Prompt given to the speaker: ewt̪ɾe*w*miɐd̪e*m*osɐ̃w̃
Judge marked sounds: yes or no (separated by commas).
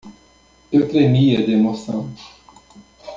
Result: no, yes